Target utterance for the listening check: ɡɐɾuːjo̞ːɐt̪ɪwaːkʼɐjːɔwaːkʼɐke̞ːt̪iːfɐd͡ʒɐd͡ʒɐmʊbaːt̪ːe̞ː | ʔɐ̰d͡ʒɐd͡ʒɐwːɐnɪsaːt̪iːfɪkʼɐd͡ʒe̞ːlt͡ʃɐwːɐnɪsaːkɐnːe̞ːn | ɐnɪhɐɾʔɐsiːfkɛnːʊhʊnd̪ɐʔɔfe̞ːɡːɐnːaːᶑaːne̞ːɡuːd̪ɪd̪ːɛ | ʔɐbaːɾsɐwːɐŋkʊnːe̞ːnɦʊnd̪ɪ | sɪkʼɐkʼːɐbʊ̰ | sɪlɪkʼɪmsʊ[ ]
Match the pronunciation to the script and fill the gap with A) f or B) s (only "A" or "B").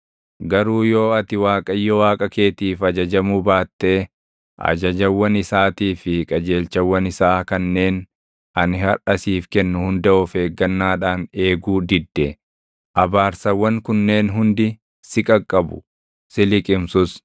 B